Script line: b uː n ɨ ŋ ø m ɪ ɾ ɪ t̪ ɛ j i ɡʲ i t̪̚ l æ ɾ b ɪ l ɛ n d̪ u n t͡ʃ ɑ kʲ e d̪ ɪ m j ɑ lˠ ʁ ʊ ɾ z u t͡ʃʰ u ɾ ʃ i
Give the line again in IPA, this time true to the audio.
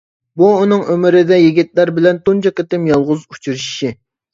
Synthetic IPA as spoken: b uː n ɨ ŋ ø m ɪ ɾ ɪ d̪ ɛ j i ɡʲ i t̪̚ l æ ɾ b ɪ l ɛ n t̪ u n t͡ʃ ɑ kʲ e t̪ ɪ m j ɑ lˠ ʁ ʊ z u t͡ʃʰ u ɾ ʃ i

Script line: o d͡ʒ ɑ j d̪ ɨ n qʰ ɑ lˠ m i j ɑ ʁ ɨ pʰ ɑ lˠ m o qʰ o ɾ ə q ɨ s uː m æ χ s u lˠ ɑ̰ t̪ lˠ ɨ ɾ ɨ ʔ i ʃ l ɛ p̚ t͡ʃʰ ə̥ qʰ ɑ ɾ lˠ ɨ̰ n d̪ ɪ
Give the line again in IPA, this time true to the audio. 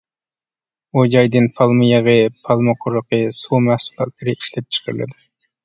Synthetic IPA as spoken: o d͡ʒ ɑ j d̪ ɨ n pʰ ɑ lˠ m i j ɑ ʁ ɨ pʰ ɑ lˠ m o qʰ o ɾ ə q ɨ s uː m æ h s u lˠ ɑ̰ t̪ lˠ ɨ ɾ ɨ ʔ i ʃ l ɛ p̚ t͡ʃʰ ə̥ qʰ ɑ ɾ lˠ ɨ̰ d̪ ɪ

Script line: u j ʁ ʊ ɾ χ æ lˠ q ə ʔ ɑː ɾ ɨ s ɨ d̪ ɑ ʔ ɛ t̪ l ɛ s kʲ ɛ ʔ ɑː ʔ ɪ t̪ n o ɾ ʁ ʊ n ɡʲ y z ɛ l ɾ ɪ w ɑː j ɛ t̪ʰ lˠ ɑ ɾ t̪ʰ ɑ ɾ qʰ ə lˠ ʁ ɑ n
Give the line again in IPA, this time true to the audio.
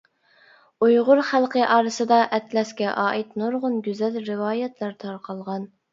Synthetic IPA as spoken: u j ʁ ʊ ɾ χ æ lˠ q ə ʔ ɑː ɾ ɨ s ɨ d̪ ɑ ʔ ɛ t̪ l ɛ s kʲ ɛ ʔ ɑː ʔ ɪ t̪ n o ɾ ʁ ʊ n ɡʲ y z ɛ l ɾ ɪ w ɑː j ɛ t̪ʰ lˠ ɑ ɾ t̪ʰ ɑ ɾ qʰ ɑ lˠ ʁ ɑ n

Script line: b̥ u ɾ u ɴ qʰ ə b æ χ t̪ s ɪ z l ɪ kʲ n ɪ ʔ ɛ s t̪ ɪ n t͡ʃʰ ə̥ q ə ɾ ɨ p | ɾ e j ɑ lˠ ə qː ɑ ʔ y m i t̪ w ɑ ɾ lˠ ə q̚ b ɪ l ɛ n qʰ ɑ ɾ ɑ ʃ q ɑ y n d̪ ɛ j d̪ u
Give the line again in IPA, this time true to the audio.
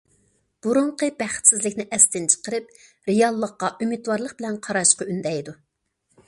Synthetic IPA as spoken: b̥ u ɾ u ɴ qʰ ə b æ χ t̪ s ɪ z l ɪ kʲ n ɪ ʔ ɛ s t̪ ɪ n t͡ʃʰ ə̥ q ə ɾ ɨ p | ɾ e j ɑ lˠː ə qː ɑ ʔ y m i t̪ w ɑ ɾ lˠ ə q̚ b ɪ l ɛ n qʰ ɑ ɾ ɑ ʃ q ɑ y n d̪ ɛ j d̪ u

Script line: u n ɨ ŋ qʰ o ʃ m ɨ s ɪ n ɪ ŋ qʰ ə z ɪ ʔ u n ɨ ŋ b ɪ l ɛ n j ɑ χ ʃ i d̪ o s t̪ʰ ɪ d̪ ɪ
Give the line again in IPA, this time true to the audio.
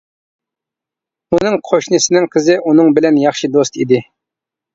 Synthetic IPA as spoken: u n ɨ ŋ qʰ o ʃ n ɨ s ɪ n ɪ ŋ qʰ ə z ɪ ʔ u n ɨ ŋ b ɪ l ɛ n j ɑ χ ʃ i d̪ o s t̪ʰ i d̪ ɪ

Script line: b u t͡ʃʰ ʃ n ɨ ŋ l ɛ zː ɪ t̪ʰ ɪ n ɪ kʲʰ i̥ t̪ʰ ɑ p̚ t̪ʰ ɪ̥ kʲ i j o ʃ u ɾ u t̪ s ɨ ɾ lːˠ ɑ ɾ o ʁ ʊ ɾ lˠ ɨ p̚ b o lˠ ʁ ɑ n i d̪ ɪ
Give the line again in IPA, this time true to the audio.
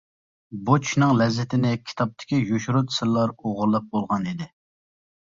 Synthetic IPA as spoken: b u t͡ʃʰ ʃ n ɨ ŋ l ɛ zː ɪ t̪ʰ ɪ n ɪ kʲʰ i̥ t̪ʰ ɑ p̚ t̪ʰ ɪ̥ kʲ i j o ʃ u ɾ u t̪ s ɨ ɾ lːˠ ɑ ɾ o ʁ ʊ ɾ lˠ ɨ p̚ b o lˠ ʁ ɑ n i d̪ ɪ

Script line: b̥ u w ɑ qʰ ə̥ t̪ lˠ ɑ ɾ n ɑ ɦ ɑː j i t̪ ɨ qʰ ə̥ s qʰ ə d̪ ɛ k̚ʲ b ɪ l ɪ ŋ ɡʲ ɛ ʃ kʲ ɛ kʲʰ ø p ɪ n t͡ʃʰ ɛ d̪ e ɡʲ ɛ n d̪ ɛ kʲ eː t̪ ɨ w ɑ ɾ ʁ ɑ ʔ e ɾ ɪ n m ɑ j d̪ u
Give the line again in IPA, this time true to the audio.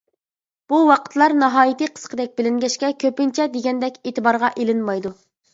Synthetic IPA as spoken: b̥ u w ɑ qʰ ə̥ t̪ lˠ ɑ ɾ n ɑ ɦ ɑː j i t̪ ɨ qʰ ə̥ s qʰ ə d̪ ɛ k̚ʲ b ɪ l ɪ ŋ ɡʲ ɛ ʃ kʲ ɛ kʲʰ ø p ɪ n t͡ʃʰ ɛ d̪ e ɡʲ ɛ n d̪ ɛ kʲ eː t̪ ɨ b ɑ ɾ ʁ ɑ ʔ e l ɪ n m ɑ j d̪ u

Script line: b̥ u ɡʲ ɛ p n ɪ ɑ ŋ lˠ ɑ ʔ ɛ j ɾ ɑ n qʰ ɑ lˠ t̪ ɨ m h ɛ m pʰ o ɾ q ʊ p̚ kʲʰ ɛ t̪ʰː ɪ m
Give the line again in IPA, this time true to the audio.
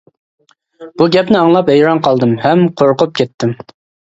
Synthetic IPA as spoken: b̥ u ɡʲ ɛ p n ɪ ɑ ŋ lˠ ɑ p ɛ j ɾ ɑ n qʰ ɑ lˠ d̪ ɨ m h ɛ m qʰ o ɾ q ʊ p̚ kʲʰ ɛ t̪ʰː ɪ m

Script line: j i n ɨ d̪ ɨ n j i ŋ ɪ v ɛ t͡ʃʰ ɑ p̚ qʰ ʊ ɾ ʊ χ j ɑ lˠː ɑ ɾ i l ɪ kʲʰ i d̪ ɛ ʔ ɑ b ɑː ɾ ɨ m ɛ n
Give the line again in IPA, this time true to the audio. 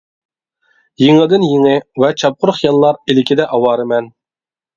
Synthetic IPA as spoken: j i ŋ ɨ d̪ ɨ n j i ŋ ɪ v ɛ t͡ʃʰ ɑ p̚ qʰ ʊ ɾ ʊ χ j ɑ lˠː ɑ ɾ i l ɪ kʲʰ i d̪ ɛ ʔ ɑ w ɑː ɾ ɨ m ɛ n

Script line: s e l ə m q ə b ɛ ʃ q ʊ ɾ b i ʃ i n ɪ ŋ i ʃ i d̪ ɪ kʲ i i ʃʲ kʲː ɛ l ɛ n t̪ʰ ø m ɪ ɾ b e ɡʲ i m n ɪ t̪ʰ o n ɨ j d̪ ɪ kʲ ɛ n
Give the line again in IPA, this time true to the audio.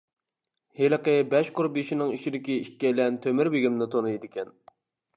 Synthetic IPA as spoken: h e l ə q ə b ɛ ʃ q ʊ ɾ b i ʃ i n ɪ ŋ i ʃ i d̪ ɪ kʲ i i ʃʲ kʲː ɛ l ɛ n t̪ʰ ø m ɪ ɾ b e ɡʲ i m n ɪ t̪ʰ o n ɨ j d̪ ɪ kʲ ɛ n

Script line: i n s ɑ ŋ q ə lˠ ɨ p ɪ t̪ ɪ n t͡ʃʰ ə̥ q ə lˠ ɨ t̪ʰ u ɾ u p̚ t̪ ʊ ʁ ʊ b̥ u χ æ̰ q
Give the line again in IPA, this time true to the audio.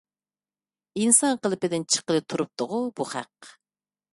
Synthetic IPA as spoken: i n s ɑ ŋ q ə lˠ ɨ p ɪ d̪ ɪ n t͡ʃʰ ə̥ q ə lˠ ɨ t̪ʰ u ɾ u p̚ t̪ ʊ ʁ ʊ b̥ u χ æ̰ q

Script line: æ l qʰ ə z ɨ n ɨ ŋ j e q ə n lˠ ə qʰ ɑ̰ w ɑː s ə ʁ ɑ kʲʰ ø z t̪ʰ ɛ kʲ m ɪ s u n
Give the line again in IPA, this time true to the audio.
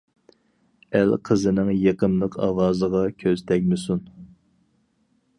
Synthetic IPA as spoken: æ l qʰ ə z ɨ n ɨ ŋ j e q ə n lˠ ə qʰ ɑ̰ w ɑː z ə ʁ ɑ kʲʰ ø z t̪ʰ ɛ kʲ m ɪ s u n

